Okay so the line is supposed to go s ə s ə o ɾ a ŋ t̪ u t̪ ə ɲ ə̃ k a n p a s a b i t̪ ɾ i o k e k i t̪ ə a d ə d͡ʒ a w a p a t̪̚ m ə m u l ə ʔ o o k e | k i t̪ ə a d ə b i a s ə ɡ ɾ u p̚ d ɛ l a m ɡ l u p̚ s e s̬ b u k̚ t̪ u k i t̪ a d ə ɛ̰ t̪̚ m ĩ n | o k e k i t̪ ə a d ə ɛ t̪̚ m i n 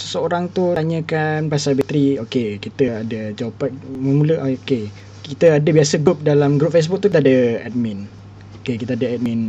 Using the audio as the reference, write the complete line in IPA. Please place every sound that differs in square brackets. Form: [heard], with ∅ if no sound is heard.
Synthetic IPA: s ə s ə o ɾ a ŋ t̪ u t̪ [a] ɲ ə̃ k a n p a s a b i t̪ ɾ i o k e k i t̪ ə a d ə d͡ʒ a w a p a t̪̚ m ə m u l ə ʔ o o k e | k i t̪ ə a d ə b i a s ə ɡ ɾ u p̚ d [a] l a m ɡ [ɾ] u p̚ [f] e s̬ b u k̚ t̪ u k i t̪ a d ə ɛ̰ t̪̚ m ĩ n | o k e k i t̪ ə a d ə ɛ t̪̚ m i n